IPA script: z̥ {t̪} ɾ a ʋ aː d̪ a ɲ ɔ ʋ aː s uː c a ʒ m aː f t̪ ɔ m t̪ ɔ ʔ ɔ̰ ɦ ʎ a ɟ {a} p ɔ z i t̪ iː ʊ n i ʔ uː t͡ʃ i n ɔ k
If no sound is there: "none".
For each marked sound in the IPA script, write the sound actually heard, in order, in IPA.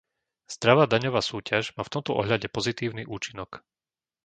d̪, ɛ

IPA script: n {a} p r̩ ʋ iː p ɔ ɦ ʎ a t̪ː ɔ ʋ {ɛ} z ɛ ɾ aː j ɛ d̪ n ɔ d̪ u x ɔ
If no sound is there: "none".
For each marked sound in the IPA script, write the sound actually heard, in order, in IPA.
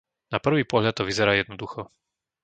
a, i

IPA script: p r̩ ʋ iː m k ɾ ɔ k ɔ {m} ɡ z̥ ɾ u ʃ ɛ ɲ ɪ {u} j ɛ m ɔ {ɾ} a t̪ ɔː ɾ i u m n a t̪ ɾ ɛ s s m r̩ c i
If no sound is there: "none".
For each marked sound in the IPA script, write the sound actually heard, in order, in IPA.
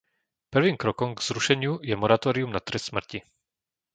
m, u, ɾ

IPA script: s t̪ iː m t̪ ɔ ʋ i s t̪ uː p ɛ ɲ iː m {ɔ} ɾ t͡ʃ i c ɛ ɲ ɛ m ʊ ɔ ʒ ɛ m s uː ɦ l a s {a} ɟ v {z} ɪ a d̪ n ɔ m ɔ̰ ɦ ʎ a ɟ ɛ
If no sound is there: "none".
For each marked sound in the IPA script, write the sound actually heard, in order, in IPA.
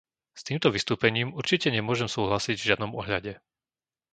u, i, ʒ

